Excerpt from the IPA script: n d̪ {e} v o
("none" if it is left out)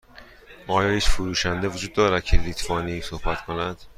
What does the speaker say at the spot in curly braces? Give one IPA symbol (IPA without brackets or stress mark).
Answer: e